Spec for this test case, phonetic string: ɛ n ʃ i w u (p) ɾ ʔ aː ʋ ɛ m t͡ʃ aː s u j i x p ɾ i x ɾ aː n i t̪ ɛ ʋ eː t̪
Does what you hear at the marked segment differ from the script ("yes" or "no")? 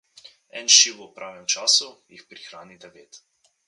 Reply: no